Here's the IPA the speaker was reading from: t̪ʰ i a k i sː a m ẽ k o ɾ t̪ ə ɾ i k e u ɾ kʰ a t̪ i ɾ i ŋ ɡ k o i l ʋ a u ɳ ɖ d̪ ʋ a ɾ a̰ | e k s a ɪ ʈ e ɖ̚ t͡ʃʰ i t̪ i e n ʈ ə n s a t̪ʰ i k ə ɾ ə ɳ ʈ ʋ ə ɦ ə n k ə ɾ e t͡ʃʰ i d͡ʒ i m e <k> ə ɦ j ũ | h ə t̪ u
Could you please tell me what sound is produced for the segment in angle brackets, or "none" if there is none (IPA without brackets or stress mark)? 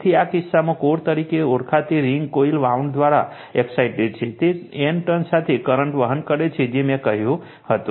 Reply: k